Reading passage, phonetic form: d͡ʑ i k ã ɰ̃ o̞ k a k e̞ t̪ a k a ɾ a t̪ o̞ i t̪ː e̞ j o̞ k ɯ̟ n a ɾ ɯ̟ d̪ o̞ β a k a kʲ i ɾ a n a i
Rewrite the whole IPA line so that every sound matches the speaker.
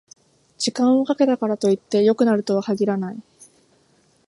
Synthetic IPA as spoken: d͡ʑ i k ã ɰ̃ o̞ k a k e̞ t̪ a k a ɾ a t̪ o̞ i t̪ː e̞ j o̞ k ɯ̟ n a ɾ ɯ̟ t̪ o̞ β a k a ɡʲ i ɾ a n a i